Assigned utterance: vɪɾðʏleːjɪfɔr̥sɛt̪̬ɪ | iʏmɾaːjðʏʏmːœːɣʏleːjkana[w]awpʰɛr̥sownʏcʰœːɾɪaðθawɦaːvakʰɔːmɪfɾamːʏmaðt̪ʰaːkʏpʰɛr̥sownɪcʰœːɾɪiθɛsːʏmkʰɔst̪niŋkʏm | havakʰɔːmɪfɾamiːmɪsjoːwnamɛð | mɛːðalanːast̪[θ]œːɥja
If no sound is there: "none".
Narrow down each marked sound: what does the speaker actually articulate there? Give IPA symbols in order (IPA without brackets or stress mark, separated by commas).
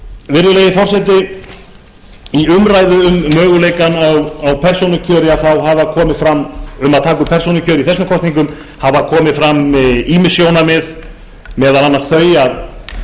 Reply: w, θ